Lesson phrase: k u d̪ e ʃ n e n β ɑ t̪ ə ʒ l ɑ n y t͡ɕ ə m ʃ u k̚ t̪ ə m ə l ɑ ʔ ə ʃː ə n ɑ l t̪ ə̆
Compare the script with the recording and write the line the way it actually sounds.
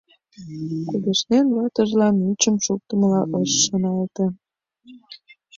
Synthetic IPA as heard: k u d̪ e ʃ n e n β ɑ t̪ ə ʒ l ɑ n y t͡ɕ ə m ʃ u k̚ t̪ ə m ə l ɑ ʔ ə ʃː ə n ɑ l t̪ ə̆